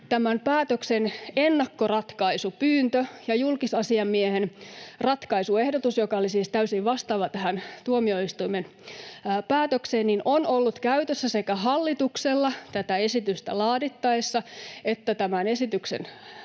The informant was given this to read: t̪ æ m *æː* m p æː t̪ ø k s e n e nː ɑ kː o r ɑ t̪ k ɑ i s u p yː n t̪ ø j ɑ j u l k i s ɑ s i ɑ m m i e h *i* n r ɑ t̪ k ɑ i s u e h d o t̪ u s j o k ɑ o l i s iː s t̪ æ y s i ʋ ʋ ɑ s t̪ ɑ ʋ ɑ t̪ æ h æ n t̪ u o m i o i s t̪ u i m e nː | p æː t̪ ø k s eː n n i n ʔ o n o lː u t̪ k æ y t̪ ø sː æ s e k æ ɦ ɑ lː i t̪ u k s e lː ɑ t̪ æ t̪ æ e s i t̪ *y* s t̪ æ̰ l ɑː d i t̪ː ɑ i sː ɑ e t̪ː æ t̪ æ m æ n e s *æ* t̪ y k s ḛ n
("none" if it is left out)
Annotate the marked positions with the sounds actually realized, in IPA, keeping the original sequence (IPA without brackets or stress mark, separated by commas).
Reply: æ, e, y, i